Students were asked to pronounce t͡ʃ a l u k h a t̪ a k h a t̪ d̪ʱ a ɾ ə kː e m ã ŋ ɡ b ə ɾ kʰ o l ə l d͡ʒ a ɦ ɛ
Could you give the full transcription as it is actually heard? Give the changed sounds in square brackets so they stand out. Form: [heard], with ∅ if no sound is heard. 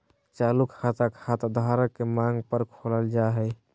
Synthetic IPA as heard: t͡ʃ a l u k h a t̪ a k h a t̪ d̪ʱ a ɾ ə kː e m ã ŋ ɡ [p] ə ɾ kʰ o l ə l d͡ʒ a ɦ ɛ